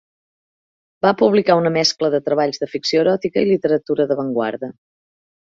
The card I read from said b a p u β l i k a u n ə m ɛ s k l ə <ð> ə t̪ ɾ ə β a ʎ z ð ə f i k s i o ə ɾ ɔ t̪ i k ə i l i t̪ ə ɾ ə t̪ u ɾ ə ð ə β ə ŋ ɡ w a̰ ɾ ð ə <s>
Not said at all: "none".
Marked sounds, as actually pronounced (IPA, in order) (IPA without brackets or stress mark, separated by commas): ð, none